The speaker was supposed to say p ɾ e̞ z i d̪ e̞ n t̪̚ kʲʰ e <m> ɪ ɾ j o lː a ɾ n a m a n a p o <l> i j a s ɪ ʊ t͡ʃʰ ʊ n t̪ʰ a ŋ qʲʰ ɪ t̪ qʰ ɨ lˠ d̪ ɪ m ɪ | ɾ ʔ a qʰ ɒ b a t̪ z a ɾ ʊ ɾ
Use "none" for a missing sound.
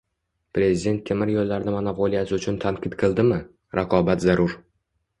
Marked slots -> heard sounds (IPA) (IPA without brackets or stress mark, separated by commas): m, l